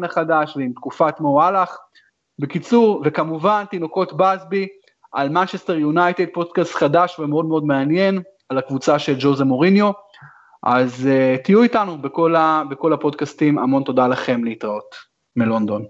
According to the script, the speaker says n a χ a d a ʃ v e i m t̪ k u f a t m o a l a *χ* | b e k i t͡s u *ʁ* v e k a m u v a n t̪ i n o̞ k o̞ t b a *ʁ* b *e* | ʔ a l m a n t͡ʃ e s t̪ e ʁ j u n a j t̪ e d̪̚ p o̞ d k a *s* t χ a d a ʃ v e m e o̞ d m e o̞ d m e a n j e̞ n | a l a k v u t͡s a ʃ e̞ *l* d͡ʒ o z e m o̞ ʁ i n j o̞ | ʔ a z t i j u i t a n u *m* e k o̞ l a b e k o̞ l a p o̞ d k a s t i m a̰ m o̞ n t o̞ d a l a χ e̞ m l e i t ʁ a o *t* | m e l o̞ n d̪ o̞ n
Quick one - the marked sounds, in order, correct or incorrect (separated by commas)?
correct, correct, incorrect, incorrect, correct, correct, incorrect, correct